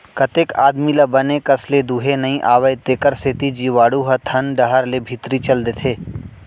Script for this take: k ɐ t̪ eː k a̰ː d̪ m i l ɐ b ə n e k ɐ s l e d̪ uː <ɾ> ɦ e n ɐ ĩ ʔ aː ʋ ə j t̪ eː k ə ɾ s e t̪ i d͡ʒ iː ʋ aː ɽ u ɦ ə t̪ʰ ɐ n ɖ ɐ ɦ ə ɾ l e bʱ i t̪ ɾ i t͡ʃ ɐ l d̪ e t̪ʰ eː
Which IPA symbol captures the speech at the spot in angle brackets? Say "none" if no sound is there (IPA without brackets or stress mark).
none